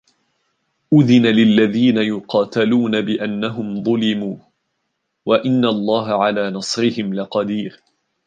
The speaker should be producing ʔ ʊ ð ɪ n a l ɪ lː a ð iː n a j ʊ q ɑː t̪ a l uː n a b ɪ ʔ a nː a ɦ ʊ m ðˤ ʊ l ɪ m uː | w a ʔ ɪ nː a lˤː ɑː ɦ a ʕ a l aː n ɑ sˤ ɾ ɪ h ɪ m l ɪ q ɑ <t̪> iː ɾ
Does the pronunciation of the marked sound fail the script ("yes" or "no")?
yes